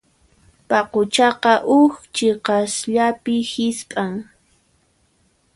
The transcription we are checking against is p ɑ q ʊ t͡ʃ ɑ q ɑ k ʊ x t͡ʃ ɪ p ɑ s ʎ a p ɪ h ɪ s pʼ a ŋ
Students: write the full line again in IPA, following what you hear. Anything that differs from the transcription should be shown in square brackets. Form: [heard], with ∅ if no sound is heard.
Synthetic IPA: p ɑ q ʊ t͡ʃ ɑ q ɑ [ʔ] ʊ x t͡ʃ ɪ [q] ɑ s ʎ a p ɪ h ɪ s pʼ a ŋ